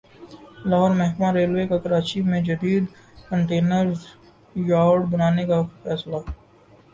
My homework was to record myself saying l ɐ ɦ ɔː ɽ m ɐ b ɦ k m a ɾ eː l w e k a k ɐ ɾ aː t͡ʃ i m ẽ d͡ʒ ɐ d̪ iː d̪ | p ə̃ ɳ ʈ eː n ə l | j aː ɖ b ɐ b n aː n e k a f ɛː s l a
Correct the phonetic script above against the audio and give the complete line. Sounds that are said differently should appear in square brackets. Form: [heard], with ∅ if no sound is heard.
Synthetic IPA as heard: l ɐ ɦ ɔː [ɾ] m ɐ [∅] ɦ k m a ɾ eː l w e k a k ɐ ɾ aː t͡ʃ i m ẽ d͡ʒ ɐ d̪ iː d̪ | [k] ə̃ ɳ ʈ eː n ə [ɾ] | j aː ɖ b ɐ [∅] n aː n e k a f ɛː s l a